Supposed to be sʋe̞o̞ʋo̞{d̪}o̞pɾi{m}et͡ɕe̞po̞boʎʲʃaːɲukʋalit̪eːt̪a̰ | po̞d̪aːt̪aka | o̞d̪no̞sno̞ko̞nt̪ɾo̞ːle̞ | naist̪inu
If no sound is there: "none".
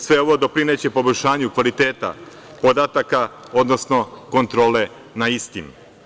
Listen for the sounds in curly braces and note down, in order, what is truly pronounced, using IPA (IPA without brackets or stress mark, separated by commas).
d̪, n